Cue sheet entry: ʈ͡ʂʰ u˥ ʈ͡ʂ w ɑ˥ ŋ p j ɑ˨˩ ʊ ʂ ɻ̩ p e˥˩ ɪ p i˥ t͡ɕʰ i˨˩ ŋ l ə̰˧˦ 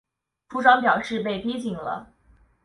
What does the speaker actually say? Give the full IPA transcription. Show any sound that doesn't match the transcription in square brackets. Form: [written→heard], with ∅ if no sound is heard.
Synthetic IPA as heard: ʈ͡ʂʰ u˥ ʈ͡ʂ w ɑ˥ ŋ p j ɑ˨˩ ʊ ʂ ɻ̩ p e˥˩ ɪ p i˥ [t͡ɕʰ→t͡ɕ] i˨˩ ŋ l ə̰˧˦